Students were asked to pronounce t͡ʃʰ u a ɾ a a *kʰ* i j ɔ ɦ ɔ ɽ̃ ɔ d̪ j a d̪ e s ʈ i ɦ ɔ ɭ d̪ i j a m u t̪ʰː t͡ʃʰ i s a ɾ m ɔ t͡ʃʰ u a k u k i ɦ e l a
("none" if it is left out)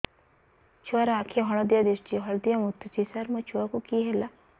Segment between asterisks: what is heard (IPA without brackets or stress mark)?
kʰ